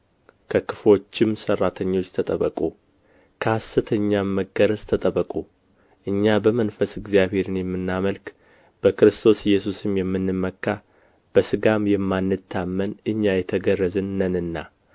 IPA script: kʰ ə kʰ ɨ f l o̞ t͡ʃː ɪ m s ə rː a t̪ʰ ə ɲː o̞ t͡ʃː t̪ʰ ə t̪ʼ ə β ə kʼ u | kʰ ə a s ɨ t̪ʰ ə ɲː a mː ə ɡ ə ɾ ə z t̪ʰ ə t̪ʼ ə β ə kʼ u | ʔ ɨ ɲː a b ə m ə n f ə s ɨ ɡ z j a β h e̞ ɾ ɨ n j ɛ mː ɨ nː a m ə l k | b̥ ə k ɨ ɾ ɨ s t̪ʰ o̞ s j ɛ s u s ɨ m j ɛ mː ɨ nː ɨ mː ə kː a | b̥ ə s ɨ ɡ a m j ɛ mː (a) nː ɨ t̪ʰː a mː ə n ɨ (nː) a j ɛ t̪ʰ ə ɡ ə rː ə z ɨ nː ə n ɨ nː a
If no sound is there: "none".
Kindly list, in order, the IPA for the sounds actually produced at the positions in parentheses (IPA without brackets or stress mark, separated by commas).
a, ɲː